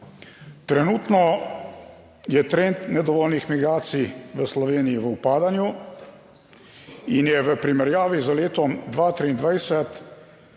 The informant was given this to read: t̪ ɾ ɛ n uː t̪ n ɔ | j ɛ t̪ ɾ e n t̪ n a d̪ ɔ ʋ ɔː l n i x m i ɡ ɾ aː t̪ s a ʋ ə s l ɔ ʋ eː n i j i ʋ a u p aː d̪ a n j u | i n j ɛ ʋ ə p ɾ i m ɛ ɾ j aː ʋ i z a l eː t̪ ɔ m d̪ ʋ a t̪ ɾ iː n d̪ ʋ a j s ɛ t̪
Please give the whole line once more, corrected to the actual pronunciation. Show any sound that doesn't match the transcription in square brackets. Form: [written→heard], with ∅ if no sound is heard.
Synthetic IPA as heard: t̪ ɾ ɛ n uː t̪ n ɔ | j ɛ t̪ ɾ e n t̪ n [a→ɛ] d̪ ɔ ʋ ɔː l n i x m i ɡ ɾ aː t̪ s [a→i] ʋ ə s l ɔ ʋ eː n i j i ʋ [a→ə] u p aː d̪ a n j u | i n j ɛ ʋ ə p ɾ i m ɛ ɾ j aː ʋ i z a l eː t̪ ɔ m d̪ ʋ a t̪ ɾ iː n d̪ ʋ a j s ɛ t̪